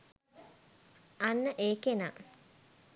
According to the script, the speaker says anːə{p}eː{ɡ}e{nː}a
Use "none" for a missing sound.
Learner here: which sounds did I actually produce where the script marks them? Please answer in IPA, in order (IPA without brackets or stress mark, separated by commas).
ʔ, k, n